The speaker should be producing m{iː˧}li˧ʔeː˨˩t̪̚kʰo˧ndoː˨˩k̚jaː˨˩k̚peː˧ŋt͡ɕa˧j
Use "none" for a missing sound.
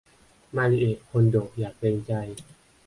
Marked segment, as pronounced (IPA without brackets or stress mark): aː˧